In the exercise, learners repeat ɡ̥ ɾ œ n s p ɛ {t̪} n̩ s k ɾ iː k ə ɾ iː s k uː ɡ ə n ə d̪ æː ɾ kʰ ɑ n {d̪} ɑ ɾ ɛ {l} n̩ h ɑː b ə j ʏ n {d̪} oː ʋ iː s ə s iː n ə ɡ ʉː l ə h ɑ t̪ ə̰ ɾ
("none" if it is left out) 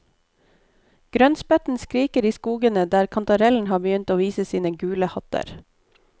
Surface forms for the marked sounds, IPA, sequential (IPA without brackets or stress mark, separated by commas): t̪, t̪, l, t̪